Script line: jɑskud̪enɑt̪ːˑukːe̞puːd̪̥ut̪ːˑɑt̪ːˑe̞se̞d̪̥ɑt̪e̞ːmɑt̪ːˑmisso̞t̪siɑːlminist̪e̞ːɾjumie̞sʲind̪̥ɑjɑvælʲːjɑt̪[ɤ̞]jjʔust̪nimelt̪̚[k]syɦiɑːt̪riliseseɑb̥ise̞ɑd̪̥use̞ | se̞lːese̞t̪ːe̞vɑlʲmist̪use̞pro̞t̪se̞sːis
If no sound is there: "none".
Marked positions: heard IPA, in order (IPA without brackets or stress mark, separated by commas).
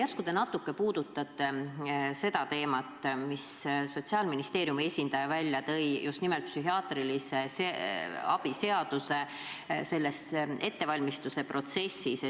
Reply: ɤ̞, p